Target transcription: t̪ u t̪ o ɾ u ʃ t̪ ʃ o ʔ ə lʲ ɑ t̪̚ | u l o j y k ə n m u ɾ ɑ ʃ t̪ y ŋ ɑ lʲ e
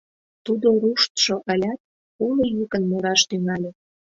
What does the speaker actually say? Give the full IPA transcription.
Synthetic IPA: t̪ u d̪ o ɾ u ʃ t̪ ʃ o ʔ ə lʲ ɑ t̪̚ | u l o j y k ə n m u ɾ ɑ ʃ t̪ y ŋ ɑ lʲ e